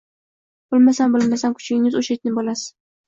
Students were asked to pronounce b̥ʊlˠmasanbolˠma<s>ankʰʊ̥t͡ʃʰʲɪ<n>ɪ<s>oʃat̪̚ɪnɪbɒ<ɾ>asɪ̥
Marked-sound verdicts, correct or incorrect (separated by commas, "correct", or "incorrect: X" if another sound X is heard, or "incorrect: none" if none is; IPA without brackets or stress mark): correct, incorrect: ŋ, incorrect: z, incorrect: l